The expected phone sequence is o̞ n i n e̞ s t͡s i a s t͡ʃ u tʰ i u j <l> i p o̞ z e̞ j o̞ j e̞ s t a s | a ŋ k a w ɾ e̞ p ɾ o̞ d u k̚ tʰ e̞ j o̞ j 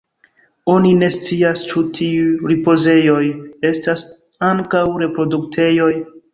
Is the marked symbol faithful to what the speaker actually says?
no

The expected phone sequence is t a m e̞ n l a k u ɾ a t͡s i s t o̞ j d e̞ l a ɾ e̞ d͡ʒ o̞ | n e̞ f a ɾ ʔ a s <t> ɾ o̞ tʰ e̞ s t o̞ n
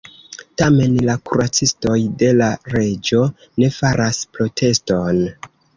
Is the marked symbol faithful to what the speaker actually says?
no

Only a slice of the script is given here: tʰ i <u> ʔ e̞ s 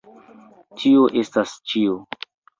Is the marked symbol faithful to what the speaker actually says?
no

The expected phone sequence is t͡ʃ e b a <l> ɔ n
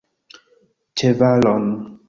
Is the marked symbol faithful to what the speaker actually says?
yes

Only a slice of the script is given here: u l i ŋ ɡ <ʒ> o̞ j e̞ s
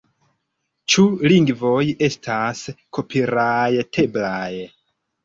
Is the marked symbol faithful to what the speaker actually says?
no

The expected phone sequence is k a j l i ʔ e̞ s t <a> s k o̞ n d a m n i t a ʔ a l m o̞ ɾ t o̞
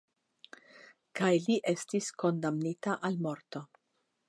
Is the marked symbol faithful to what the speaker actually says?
no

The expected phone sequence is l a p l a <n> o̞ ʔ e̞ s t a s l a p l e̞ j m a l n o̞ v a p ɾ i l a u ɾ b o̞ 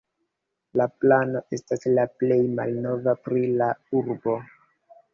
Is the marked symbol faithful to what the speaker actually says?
yes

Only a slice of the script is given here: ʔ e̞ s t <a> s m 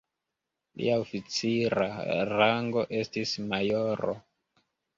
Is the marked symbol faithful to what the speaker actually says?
no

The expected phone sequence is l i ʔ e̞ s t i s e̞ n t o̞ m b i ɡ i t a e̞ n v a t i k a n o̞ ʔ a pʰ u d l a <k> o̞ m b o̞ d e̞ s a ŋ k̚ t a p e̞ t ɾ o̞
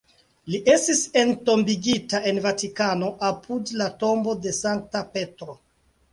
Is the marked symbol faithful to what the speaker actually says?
no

